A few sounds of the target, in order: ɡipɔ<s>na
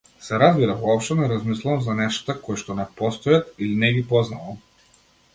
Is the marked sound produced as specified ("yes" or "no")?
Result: no